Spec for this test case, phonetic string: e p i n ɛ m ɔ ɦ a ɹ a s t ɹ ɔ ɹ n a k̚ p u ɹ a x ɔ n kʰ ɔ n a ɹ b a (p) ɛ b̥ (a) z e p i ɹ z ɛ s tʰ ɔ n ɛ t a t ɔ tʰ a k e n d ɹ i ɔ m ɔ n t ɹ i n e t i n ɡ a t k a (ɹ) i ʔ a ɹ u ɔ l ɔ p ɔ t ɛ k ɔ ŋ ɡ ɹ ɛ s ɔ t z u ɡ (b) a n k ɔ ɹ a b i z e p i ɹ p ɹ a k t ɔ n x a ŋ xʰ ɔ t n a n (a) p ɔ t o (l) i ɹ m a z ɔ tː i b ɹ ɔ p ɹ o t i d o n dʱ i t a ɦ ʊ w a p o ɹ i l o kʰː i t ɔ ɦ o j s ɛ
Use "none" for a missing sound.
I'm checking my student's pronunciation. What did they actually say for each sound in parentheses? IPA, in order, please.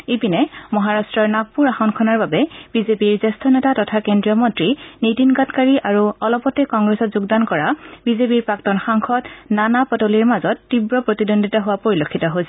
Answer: b, i, ɹ, d, a, l

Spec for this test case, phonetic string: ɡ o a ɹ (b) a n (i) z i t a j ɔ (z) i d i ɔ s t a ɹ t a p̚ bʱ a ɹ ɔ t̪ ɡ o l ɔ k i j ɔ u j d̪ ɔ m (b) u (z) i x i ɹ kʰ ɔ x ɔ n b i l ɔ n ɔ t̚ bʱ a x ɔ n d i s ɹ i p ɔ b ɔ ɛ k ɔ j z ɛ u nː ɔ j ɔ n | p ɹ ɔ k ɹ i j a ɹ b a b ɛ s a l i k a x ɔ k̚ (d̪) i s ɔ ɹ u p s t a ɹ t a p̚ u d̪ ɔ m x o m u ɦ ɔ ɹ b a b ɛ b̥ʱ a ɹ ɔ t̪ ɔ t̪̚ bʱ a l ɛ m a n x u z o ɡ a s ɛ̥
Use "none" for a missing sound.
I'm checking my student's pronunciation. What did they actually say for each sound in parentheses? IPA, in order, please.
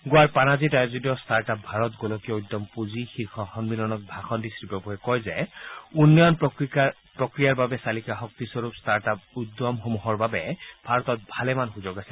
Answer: p, a, z, p, z, t̪

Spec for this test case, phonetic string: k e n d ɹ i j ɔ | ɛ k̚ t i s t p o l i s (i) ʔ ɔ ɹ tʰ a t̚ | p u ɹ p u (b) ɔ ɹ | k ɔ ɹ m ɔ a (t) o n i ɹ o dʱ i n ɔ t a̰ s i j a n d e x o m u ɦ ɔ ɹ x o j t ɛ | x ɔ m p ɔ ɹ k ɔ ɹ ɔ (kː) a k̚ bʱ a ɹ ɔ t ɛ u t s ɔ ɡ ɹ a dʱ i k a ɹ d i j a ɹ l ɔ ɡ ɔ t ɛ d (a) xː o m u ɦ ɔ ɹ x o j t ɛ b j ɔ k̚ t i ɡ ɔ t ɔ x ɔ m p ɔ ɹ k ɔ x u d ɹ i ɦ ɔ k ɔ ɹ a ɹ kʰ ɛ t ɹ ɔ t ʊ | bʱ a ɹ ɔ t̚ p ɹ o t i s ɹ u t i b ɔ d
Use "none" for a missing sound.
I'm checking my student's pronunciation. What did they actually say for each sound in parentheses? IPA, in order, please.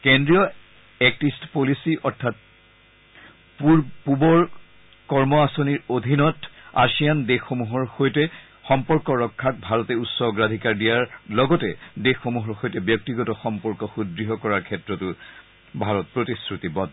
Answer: i, b, s, kʰː, e

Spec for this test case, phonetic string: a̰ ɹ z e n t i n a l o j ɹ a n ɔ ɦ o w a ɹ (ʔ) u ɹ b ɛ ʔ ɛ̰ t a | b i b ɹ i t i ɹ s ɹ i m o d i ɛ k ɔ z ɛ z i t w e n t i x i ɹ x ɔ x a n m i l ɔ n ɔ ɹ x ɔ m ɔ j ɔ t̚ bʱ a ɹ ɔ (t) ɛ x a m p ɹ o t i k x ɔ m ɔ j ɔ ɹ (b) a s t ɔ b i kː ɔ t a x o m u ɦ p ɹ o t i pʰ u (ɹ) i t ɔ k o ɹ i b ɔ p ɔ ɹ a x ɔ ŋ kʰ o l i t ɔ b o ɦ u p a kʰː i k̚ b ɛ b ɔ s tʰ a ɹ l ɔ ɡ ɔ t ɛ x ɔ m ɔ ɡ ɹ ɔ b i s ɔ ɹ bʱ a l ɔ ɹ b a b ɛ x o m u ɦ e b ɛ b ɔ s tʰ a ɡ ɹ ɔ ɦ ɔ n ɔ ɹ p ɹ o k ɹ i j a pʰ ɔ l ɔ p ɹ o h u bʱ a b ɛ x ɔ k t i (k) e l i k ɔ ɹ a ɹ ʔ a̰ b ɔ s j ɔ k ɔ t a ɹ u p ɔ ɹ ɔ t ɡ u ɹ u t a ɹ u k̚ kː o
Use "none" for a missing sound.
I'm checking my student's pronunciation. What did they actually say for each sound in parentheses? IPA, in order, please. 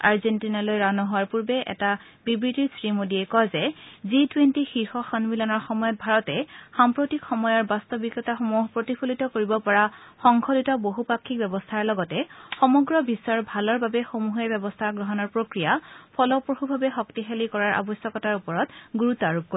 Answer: p, t, b, l, x

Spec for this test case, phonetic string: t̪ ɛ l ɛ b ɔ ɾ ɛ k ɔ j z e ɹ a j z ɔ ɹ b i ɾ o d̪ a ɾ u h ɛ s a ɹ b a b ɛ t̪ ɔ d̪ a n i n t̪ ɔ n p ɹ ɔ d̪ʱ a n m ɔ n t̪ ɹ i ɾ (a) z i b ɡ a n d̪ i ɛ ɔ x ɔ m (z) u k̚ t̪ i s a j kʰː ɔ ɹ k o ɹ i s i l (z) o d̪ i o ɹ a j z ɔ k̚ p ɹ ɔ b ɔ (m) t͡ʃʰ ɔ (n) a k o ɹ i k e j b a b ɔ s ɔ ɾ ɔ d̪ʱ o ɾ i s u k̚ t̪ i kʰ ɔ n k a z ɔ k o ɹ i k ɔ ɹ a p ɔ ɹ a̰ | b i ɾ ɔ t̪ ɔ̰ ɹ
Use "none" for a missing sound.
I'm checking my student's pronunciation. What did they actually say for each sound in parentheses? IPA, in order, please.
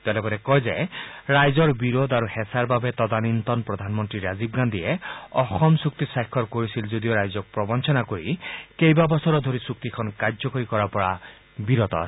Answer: a, s, z, n, n

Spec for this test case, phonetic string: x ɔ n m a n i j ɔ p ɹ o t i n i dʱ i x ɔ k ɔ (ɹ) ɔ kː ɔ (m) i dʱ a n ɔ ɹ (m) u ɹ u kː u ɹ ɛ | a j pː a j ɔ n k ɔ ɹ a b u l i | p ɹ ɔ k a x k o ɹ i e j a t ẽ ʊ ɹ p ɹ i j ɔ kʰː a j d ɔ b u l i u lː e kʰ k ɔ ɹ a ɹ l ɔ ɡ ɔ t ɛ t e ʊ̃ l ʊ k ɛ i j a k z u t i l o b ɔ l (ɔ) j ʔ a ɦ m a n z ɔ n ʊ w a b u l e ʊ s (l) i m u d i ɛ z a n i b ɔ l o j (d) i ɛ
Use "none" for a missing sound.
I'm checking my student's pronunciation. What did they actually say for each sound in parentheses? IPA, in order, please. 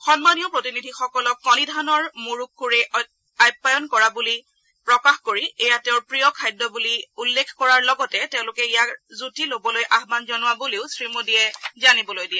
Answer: l, n, m, o, ɹ, d

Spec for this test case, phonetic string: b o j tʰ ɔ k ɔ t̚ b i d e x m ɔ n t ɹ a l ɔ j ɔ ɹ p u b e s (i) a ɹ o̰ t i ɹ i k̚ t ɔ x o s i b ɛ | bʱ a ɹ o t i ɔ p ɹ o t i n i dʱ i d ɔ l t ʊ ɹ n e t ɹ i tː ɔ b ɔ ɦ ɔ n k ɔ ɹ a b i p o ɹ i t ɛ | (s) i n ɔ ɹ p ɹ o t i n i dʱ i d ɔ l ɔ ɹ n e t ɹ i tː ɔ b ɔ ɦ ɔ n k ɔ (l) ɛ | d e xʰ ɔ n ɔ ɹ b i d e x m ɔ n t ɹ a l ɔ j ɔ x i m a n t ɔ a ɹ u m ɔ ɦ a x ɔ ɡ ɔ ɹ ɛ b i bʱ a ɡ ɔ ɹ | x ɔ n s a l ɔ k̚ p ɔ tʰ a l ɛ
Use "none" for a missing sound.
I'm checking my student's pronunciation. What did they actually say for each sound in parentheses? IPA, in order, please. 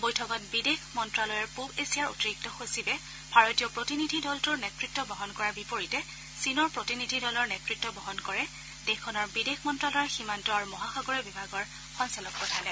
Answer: i, s, ɹ

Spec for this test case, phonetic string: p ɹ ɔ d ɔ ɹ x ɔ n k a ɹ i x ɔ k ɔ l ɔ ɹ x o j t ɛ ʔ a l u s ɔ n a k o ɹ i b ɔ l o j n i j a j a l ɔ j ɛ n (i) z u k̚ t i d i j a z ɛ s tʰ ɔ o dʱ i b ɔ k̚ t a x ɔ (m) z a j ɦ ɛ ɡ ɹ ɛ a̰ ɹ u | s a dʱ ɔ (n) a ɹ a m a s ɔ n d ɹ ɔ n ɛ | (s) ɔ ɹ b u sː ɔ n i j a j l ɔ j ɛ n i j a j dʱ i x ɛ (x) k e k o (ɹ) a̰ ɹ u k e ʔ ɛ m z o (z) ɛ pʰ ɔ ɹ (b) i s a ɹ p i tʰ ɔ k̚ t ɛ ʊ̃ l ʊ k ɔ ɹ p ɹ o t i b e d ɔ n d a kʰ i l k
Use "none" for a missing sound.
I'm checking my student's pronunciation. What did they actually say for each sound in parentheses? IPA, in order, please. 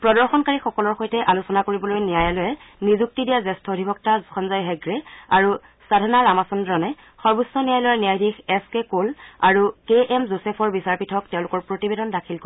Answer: i, n, n, x, s, l, s, b

